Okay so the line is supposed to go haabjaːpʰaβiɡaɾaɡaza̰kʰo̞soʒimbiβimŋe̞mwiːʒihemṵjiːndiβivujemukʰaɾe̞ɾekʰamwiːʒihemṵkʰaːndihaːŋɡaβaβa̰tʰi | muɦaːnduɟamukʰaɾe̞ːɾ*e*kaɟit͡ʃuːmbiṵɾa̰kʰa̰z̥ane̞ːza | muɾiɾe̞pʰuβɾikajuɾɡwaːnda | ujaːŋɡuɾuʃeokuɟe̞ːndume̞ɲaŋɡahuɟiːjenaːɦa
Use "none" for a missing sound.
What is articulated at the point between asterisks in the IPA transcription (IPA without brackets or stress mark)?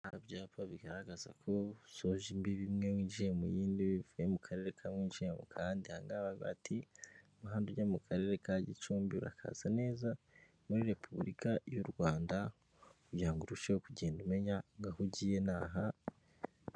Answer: e